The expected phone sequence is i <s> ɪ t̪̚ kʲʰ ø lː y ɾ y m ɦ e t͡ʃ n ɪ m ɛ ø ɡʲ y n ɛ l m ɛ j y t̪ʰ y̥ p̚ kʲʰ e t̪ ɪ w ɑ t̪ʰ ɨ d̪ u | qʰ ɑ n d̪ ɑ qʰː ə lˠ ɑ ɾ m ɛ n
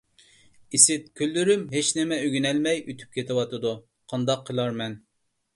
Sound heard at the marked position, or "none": s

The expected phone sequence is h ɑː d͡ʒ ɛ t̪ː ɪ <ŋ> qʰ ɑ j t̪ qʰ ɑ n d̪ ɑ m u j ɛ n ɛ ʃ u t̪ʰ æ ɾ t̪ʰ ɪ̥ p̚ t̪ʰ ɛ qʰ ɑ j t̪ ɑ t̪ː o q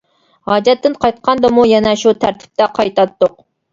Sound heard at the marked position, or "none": n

